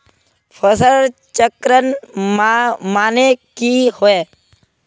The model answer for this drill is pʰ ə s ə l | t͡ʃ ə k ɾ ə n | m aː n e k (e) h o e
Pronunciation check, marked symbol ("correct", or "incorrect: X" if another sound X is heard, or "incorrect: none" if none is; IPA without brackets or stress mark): incorrect: i